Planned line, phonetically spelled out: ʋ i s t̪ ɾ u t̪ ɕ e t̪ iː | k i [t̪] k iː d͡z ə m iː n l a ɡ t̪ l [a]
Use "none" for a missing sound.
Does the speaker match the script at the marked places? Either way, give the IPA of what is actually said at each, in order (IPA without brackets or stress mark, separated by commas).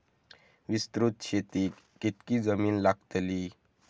t̪, i